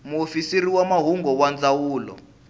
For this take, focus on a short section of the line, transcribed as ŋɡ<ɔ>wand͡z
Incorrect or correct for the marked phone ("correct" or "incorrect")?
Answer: correct